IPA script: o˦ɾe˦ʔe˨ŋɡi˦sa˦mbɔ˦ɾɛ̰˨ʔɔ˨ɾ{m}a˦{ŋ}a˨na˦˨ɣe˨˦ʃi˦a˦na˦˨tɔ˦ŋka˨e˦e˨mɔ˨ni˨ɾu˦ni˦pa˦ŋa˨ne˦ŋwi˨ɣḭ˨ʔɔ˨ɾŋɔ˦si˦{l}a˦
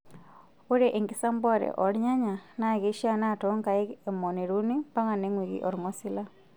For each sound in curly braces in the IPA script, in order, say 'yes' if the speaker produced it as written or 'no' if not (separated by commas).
no, no, yes